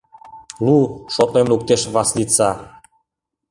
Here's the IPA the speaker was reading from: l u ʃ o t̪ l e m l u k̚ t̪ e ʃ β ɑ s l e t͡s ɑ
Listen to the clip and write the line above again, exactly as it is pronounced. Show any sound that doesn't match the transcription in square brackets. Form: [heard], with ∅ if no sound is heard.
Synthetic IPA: l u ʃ o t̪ l e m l u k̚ t̪ e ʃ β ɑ s l [i] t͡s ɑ